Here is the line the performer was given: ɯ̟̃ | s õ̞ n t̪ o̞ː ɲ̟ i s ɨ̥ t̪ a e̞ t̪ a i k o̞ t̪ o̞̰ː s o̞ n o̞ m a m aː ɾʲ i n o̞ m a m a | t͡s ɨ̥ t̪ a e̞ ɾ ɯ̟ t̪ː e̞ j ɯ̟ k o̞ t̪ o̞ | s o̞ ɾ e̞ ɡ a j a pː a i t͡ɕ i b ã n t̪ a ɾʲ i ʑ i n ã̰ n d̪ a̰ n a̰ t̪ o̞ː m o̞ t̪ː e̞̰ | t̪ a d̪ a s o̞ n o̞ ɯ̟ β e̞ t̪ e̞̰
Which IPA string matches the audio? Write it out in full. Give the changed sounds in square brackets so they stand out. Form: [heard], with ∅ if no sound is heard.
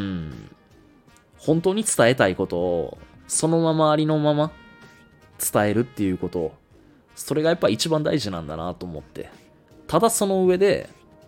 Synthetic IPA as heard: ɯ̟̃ | [h] õ̞ n t̪ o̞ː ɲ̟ i [t͡s] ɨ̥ t̪ a e̞ t̪ a i k o̞ t̪ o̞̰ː s o̞ n o̞ m a m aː ɾʲ i n o̞ m a m a | t͡s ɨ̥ t̪ a e̞ ɾ ɯ̟ t̪ː e̞ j ɯ̟ k o̞ t̪ o̞ | s o̞ ɾ e̞ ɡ a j a pː a i t͡ɕ i b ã n [d̪] a [∅] i ʑ i n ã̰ n d̪ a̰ n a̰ t̪ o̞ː m o̞ t̪ː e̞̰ | t̪ a d̪ a s o̞ n o̞ ɯ̟ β e̞ [d̪] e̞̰